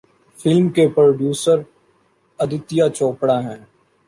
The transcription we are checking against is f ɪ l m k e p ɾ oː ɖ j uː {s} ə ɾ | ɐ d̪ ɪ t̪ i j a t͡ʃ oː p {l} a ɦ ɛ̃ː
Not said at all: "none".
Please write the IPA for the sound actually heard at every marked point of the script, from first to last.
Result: s, ɽ

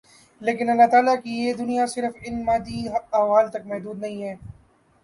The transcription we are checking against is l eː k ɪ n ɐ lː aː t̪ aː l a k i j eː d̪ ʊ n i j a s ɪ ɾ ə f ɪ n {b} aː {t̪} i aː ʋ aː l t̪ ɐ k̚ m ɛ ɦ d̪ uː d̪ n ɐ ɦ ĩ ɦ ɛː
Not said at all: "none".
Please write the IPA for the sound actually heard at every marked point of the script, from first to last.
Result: m, d̪

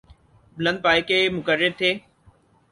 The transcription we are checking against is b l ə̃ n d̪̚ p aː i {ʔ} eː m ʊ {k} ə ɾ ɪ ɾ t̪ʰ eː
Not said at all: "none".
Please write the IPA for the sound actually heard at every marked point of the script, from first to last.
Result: k, k

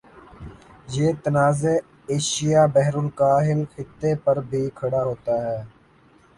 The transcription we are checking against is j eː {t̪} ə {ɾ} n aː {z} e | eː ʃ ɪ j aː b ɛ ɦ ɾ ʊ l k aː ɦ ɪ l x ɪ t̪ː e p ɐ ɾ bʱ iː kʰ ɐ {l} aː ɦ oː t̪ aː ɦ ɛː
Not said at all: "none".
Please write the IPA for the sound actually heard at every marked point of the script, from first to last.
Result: t̪, none, z, ɽ

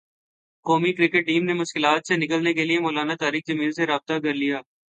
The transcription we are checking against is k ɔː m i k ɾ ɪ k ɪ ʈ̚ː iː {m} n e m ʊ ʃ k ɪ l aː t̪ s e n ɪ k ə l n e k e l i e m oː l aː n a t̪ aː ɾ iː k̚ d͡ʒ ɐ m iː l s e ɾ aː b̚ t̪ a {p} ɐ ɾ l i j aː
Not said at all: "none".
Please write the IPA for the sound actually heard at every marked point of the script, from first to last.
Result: m, k

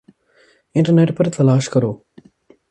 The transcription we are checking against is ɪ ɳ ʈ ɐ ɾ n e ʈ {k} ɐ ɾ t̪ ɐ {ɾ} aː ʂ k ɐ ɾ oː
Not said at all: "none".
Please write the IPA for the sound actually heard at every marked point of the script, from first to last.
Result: p, l

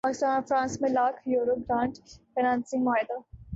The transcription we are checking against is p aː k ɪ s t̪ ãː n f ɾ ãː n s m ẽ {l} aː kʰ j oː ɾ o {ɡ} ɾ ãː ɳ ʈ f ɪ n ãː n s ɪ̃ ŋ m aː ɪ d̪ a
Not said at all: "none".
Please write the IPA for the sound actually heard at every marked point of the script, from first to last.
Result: l, ɡ

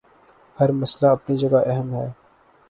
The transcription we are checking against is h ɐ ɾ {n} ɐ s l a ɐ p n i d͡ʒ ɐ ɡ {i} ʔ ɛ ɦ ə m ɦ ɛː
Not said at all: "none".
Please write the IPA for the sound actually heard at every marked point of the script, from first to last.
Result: m, a

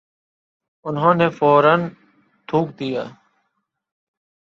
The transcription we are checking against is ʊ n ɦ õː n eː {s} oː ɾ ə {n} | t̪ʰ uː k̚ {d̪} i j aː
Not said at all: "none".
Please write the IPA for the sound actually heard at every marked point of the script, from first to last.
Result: f, n, d̪

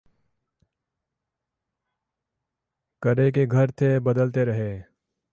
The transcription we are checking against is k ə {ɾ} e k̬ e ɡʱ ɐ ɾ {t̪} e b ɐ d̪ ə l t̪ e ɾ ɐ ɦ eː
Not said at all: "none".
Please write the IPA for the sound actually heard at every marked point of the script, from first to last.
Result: ɾ, t̪ʰ

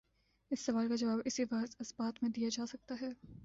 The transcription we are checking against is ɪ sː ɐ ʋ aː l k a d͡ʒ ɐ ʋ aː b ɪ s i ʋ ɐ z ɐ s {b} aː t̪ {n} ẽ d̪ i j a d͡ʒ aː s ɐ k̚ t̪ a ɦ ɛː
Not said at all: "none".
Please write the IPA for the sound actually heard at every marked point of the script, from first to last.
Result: b, m

